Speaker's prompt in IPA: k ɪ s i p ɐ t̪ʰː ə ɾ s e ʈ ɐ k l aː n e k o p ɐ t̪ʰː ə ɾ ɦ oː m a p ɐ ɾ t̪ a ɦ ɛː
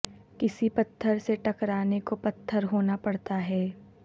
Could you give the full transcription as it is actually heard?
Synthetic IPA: k ɪ s i p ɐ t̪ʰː ə ɾ s e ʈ ɐ k ɾ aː n e k o p ɐ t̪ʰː ə ɾ ɦ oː n a p ɐ ɽ t̪ a ɦ ɛː